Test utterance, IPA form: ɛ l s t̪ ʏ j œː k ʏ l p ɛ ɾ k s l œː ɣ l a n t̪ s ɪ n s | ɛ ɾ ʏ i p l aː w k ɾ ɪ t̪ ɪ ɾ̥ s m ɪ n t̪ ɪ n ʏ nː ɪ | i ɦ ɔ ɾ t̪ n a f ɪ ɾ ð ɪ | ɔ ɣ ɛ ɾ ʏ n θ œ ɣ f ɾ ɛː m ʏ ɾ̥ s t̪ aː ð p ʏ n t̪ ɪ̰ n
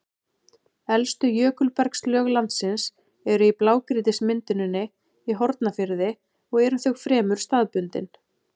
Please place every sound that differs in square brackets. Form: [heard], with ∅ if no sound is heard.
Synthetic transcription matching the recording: ɛ l s t̪ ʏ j œː k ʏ l p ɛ ɾ k s l œː ɣ l a n t̪ s ɪ n s | ɛ ɾ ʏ i p l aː w k ɾ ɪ t̪ ɪ [∅] s m ɪ n t̪ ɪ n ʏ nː ɪ | i ɦ ɔ ɾ t̪ n a f ɪ ɾ ð ɪ | ɔ ɣ ɛ ɾ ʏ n θ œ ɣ f ɾ ɛː m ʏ ɾ̥ s t̪ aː ð p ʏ n t̪ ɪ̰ n